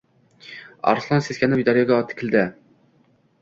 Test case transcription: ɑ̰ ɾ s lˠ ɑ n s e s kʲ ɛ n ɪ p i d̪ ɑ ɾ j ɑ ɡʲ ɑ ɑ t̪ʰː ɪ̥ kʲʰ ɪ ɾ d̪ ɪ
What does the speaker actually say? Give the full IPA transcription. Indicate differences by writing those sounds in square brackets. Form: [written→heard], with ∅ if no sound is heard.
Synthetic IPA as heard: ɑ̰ ɾ s lˠ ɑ n s e s kʲ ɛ n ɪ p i d̪ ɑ ɾ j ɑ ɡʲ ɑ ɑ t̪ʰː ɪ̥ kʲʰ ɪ [ɾ→l] d̪ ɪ